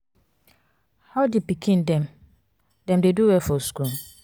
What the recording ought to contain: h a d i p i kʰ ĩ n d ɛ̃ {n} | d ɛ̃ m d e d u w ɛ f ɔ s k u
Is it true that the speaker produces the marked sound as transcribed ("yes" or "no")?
no